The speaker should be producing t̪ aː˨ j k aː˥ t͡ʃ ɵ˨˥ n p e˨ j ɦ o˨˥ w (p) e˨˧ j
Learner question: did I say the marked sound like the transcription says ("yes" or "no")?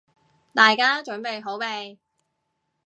yes